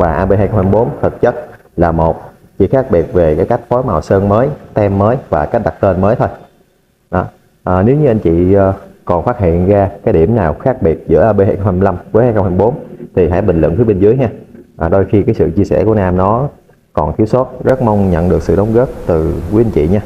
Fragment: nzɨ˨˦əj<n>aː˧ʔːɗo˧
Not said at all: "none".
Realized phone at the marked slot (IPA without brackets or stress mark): ɲ